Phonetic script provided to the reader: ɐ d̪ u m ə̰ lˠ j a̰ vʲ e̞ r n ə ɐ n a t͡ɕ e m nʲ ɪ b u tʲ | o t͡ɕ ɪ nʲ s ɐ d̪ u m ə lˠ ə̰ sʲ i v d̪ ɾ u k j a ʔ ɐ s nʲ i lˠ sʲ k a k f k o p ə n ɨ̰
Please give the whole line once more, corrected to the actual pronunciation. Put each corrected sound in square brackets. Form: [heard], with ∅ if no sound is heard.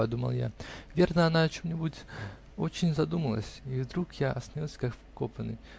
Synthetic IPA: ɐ d̪ u m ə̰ lˠ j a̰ vʲ e̞ r n ə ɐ n a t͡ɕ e m nʲ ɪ b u tʲ | o t͡ɕ ɪ nʲ [z] ɐ d̪ u m ə lˠ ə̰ sʲ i v d̪ ɾ u k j a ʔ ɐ s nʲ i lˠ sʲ k a k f k o p ə n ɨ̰